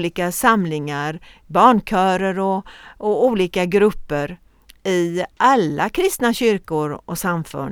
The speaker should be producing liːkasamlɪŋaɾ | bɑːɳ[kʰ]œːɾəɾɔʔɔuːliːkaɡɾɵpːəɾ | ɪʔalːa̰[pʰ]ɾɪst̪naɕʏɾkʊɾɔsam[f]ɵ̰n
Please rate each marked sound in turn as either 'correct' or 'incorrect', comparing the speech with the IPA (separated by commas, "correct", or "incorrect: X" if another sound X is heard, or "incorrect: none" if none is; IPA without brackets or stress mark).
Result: correct, incorrect: kʰ, correct